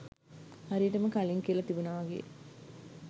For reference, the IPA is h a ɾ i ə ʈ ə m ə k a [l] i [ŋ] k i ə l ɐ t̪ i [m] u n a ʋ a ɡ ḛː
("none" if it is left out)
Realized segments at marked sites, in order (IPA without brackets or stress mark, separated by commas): l, ŋ, b